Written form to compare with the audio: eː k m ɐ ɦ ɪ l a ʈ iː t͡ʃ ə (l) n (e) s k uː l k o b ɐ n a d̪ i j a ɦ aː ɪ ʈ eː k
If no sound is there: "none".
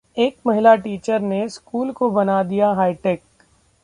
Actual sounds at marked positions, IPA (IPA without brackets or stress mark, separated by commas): ɾ, e